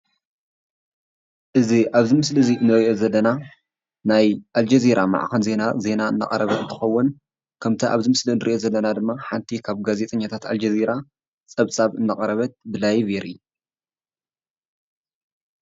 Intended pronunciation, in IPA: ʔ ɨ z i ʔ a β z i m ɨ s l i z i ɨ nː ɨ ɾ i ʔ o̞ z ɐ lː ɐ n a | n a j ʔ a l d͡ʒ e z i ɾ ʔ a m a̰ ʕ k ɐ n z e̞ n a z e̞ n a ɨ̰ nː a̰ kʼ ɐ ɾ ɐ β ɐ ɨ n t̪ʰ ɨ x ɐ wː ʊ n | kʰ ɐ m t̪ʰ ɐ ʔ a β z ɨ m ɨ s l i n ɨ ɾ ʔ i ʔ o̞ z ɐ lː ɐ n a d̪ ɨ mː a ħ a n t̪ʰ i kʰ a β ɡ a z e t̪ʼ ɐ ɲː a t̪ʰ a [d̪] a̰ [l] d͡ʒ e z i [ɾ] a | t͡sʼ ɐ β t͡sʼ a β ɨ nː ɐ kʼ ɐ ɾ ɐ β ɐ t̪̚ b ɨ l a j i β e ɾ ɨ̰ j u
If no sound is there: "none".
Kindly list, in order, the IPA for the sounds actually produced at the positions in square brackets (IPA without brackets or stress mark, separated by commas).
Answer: t̪, l, ɾ